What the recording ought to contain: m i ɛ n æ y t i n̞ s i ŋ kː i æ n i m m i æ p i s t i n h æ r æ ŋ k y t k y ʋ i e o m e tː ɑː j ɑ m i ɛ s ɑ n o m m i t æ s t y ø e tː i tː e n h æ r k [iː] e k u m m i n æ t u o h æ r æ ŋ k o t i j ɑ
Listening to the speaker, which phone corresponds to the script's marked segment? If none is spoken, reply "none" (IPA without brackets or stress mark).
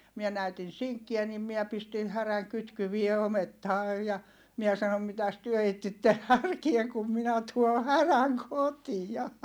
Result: i